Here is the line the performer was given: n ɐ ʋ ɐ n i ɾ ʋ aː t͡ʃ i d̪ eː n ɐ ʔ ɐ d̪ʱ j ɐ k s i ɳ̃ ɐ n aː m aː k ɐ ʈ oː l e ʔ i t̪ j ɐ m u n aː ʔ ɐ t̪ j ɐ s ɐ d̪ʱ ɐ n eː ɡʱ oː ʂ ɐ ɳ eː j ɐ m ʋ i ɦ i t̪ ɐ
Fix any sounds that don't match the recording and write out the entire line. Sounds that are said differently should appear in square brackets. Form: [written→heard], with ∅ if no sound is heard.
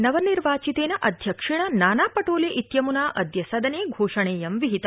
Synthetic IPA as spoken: n ɐ ʋ ɐ n i ɾ ʋ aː t͡ʃ i [d̪→t̪] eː n ɐ ʔ ɐ d̪ʱ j ɐ k [s→ʂ] i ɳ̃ ɐ n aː [m→n] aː [k→p] ɐ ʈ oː l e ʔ i t̪ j ɐ m u n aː ʔ ɐ [t̪→d̪] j ɐ s ɐ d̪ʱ ɐ n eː ɡʱ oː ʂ ɐ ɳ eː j ɐ m ʋ i ɦ i t̪ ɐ

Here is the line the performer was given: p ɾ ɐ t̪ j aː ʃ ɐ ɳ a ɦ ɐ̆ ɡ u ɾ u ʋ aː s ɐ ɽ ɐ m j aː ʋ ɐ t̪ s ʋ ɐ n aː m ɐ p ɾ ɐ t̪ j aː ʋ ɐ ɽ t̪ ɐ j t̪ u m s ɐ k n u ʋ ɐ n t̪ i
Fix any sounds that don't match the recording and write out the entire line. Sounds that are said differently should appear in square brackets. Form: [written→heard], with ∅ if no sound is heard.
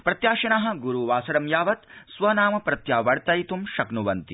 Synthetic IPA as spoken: p ɾ ɐ t̪ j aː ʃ ɐ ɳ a ɦ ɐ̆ ɡ u ɾ u ʋ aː s ɐ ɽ ɐ m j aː ʋ ɐ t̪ s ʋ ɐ n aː m ɐ p ɾ ɐ t̪ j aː ʋ ɐ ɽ t̪ ɐ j t̪ u m [s→ʃ] ɐ k n u ʋ ɐ n t̪ i

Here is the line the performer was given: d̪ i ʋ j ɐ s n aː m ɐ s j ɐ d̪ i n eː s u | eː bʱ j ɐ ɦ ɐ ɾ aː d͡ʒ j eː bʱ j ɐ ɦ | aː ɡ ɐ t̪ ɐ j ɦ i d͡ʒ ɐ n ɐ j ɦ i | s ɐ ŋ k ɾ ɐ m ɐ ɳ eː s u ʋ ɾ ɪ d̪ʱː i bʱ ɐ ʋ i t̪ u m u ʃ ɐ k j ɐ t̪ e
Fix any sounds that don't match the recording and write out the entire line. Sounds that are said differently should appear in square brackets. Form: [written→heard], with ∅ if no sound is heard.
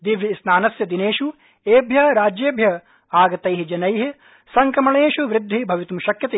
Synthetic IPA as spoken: d̪ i ʋ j ɐ s n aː [m→n] ɐ s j ɐ d̪ i n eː [s→ʃ] u | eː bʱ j ɐ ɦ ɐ ɾ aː d͡ʒ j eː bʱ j ɐ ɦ | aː ɡ ɐ t̪ ɐ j ɦ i d͡ʒ ɐ n ɐ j ɦ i | s ɐ ŋ k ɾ ɐ m ɐ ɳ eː [s→ʃ] u ʋ ɾ ɪ d̪ʱː i bʱ ɐ ʋ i t̪ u m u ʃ ɐ k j ɐ t̪ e

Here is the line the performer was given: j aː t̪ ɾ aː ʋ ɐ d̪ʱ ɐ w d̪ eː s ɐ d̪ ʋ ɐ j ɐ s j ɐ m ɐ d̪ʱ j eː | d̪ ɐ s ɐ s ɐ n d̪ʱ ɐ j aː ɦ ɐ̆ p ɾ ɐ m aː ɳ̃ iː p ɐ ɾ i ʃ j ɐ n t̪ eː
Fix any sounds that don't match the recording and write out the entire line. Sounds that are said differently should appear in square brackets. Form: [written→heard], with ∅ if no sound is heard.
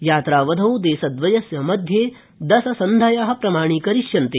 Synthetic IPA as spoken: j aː t̪ ɾ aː ʋ ɐ d̪ʱ ɐ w d̪ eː s ɐ d̪ ʋ ɐ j ɐ s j ɐ m ɐ d̪ʱ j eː | d̪ ɐ s ɐ s ɐ n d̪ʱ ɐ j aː ɦ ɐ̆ p ɾ ɐ m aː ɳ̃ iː [p→k] ɐ ɾ i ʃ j ɐ n t̪ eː

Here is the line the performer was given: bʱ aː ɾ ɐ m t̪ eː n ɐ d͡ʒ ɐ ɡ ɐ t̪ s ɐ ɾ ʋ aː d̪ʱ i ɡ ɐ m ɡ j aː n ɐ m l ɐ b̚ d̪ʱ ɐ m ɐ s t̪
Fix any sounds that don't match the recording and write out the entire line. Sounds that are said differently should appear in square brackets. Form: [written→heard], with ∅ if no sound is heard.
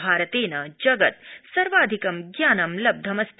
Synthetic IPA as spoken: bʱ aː ɾ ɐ [m→∅] t̪ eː n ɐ d͡ʒ ɐ ɡ ɐ t̪ s ɐ ɾ ʋ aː d̪ʱ i [ɡ→k] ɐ m ɡ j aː n ɐ m l ɐ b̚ d̪ʱ ɐ m ɐ s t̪

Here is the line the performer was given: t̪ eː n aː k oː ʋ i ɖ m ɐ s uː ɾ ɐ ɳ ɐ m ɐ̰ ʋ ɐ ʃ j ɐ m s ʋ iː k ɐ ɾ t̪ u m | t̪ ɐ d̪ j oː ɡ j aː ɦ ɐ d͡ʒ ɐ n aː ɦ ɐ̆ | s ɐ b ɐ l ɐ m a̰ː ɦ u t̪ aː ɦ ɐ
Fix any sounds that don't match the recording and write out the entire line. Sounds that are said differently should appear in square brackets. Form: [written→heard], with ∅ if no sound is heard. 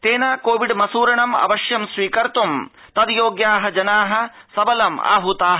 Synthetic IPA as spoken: t̪ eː n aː k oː ʋ i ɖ m ɐ s uː ɾ ɐ ɳ ɐ m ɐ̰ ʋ ɐ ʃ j ɐ m s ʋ iː k ɐ ɾ t̪ u m | t̪ ɐ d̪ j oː ɡ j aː ɦ ɐ d͡ʒ ɐ n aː ɦ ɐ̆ | s ɐ b ɐ l ɐ m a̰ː ɦ u t̪ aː ɦ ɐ

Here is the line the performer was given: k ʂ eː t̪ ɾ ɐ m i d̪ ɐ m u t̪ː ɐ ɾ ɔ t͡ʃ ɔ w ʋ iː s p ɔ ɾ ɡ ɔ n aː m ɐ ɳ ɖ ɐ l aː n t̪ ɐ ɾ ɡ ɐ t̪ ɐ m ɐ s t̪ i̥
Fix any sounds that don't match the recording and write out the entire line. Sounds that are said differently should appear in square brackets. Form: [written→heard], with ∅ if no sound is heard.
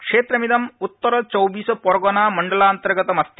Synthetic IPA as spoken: k ʂ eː t̪ ɾ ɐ m i d̪ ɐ m u t̪ː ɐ ɾ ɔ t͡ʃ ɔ w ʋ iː s p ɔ ɾ ɡ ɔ n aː m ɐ ɳ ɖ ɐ l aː n t̪ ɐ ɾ ɡ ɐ t̪ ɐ m ɐ s t̪ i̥

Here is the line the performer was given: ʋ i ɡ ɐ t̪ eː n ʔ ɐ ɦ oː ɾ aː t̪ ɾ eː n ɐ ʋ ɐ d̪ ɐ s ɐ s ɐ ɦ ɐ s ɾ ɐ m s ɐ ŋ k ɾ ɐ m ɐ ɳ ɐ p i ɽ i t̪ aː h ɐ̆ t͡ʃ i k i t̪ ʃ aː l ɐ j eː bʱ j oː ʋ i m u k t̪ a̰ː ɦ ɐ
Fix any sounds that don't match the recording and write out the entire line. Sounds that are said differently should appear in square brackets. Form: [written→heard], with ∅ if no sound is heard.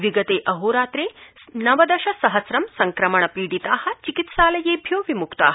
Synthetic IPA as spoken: ʋ i ɡ ɐ t̪ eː [n→∅] ʔ ɐ ɦ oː ɾ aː t̪ ɾ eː n ɐ ʋ ɐ d̪ ɐ [s→ʃ] ɐ s ɐ ɦ ɐ s ɾ ɐ m s ɐ ŋ k ɾ ɐ m ɐ ɳ ɐ p [i→iː] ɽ i t̪ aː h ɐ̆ t͡ʃ i k i t̪ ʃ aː l ɐ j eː bʱ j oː ʋ i m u k t̪ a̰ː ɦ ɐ

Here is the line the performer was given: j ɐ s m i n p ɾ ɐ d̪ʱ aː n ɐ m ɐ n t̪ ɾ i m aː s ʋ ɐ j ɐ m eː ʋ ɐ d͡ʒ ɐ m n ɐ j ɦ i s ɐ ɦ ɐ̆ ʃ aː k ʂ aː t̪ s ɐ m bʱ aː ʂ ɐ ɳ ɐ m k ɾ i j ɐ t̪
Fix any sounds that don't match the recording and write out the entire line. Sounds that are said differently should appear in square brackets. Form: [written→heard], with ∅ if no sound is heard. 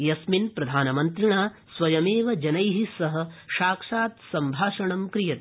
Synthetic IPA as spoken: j ɐ s m i n p ɾ ɐ d̪ʱ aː n ɐ m ɐ n t̪ ɾ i [m→ɳ] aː s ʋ ɐ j ɐ m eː ʋ ɐ d͡ʒ ɐ [m→∅] n ɐ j ɦ i s ɐ ɦ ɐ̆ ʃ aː k ʂ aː t̪ s ɐ m bʱ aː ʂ ɐ ɳ ɐ m k ɾ i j ɐ t̪

